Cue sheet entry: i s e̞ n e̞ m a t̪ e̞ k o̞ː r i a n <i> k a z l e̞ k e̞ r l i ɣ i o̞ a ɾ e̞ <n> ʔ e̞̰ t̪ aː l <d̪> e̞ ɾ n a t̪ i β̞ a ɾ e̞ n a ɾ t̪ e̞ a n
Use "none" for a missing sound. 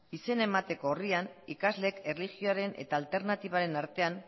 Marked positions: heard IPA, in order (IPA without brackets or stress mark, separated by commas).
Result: i, n, t̪